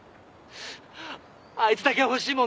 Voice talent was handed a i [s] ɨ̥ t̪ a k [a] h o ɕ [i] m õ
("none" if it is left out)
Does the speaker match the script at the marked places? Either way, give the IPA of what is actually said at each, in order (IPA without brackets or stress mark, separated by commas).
t͡s, e, iː